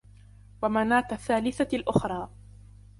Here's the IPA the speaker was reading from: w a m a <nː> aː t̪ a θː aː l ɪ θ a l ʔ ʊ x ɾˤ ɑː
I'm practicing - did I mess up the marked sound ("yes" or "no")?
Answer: yes